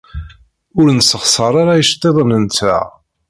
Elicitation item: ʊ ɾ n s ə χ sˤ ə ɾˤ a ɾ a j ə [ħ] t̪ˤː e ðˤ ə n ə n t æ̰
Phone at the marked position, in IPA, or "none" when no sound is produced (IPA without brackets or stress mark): ʃ